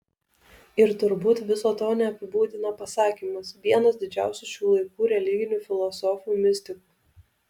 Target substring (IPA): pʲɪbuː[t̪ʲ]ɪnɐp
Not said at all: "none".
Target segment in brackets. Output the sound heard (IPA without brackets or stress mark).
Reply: d̪ʲ